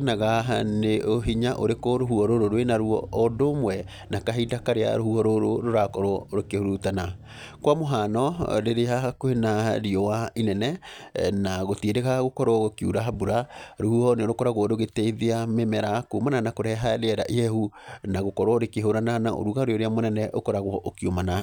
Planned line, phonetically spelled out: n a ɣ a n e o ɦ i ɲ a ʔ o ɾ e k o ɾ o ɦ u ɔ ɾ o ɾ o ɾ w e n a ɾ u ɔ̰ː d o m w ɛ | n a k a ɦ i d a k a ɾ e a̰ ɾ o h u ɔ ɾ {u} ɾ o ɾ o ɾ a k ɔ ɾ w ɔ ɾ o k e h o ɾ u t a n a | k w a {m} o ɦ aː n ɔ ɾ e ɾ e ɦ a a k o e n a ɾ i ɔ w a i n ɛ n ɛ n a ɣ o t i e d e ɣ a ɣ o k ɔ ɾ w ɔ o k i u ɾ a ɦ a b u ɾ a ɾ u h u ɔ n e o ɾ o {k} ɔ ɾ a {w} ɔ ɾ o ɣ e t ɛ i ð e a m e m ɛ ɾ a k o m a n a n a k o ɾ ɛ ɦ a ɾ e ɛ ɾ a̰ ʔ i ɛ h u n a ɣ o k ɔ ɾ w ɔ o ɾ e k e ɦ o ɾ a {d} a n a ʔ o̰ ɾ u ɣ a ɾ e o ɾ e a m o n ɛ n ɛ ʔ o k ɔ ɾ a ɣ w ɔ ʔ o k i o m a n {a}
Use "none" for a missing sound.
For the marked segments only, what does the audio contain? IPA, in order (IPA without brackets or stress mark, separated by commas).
o, m, k, ɣ, n, a